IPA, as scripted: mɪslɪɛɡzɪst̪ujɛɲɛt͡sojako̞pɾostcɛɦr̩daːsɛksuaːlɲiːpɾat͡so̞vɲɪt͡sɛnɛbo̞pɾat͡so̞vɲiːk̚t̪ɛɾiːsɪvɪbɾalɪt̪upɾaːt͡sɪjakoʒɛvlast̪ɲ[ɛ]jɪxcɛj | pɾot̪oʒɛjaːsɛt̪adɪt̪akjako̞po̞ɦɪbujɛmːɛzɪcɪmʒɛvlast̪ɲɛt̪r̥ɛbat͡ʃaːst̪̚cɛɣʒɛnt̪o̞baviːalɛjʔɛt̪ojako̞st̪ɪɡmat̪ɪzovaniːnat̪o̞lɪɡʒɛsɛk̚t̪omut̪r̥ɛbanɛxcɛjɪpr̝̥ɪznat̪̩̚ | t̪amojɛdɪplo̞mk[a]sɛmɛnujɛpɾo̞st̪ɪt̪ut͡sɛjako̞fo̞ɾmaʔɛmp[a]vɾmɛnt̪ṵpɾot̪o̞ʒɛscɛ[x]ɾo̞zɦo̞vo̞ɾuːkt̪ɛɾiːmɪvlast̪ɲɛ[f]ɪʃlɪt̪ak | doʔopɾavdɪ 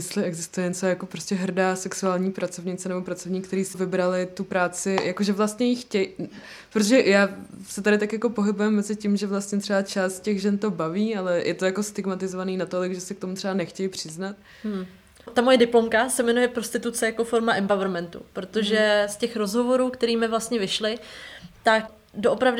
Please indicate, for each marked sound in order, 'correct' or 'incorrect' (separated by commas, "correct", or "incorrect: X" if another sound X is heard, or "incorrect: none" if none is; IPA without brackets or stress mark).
correct, correct, correct, correct, incorrect: v